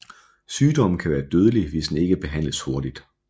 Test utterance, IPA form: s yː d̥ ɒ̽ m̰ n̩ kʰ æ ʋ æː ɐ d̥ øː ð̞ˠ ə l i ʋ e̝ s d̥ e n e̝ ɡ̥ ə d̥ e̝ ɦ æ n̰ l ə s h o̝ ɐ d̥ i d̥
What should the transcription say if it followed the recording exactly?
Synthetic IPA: s yː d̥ ɒ̽ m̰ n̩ kʰ æ ʋ æː ɐ d̥ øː ð̞ˠ ə l i ʋ e̝ s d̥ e n e̝ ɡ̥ ə b̥ e̝ ɦ æ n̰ l ə s h o̝ ɐ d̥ i d̥